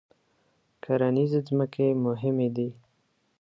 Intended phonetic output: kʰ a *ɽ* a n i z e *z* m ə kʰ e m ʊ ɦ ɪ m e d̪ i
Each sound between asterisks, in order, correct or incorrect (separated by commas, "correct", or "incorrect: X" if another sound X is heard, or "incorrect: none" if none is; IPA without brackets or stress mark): incorrect: ɾ, correct